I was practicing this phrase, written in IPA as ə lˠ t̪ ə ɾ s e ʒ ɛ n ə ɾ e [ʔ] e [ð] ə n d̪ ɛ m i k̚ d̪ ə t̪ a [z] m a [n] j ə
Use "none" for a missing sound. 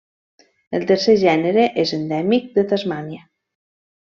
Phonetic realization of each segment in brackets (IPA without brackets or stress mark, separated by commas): ʔ, z, z, n